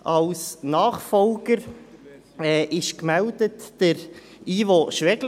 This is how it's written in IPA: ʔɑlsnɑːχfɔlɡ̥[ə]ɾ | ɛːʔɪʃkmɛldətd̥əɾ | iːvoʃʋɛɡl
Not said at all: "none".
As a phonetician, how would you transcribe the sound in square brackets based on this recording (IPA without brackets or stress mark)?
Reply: ə